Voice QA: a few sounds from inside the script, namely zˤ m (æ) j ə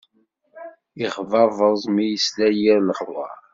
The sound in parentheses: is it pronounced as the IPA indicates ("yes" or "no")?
no